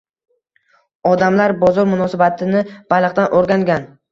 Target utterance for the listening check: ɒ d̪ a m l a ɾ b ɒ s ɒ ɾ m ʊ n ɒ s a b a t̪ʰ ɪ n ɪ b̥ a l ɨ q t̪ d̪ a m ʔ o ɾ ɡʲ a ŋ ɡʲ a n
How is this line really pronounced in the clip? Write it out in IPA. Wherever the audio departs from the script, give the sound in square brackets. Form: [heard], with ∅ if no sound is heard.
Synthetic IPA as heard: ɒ d̪ a m l a ɾ b ɒ [z] ɒ ɾ m ʊ n ɒ s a b a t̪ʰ ɪ n ɪ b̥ a l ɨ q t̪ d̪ a [n] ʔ o ɾ ɡʲ a ŋ ɡʲ a n